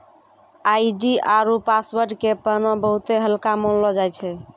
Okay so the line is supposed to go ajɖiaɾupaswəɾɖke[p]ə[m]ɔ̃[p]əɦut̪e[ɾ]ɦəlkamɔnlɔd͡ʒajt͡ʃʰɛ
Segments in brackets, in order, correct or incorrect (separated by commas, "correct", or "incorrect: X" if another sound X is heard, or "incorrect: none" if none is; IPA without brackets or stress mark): correct, incorrect: n, incorrect: b, incorrect: none